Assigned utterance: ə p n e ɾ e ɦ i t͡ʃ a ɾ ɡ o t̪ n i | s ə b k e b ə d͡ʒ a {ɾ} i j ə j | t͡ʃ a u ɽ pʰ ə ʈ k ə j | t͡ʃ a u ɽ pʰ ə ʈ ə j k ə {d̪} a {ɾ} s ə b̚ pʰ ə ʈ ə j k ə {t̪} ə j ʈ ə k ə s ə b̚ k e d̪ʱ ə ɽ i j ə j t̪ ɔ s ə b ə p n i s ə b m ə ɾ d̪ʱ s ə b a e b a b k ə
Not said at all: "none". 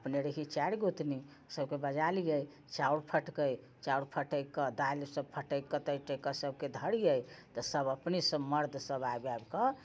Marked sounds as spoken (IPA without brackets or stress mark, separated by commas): l, d̪, l, t̪